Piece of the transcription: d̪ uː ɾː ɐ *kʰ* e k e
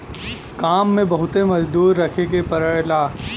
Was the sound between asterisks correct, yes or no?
yes